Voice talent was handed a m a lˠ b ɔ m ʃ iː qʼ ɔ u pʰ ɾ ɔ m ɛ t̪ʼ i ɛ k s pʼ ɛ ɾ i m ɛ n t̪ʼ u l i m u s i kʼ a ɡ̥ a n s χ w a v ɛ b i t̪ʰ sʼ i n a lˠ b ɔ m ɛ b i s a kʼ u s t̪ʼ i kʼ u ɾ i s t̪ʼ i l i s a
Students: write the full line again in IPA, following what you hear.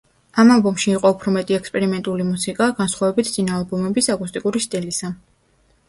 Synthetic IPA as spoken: a m a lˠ b ɔ m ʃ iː qʼ ɔ u pʰ ɾ ɔ m ɛ t̪ʼ i ɛ k s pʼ ɛ ɾ i m ɛ n t̪ʼ u l i m u s i kʼ a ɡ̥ a n s χ w a v ɛ b i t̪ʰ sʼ i n a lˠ b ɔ m ɛ b i s a kʼ u s t̪ʼ i kʼ u ɾ i s t̪ʼ i l i s a